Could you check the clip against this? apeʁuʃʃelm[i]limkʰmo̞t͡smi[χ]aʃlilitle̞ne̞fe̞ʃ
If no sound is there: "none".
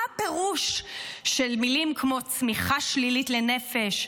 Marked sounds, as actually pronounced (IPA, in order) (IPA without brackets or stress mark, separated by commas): i, χ